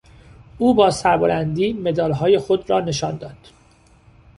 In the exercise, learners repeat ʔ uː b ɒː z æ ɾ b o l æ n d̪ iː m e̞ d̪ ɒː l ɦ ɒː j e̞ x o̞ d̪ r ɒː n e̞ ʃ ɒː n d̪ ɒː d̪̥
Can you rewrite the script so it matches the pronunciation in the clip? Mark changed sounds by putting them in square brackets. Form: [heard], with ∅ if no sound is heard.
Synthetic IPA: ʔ uː b ɒː [s] æ ɾ b o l æ n d̪ iː m e̞ d̪ ɒː l ɦ ɒː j e̞ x o̞ d̪ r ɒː n e̞ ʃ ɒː n d̪ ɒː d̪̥